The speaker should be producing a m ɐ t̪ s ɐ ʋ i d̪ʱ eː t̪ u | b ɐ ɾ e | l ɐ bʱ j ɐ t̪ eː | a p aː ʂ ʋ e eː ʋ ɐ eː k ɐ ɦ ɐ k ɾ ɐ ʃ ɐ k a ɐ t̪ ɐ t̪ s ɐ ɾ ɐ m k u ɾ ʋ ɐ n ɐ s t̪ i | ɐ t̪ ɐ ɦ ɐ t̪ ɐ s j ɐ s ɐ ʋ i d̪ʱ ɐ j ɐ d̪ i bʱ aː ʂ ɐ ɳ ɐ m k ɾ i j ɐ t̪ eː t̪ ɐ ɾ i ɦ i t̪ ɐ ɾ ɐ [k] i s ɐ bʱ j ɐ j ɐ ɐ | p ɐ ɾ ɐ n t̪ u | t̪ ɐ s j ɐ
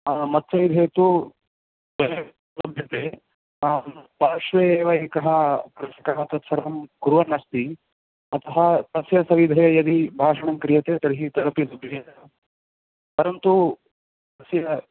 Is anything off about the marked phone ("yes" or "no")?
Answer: yes